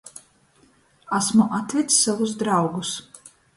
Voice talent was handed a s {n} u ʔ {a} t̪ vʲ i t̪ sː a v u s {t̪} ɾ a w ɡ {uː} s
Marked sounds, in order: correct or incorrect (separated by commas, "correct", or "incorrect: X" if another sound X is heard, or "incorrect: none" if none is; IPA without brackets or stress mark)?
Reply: incorrect: m, correct, incorrect: d̪, incorrect: u